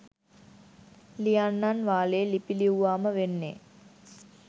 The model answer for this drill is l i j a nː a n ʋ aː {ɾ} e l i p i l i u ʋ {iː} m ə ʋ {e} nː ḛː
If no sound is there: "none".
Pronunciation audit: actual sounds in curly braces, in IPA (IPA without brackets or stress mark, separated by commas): l, aː, e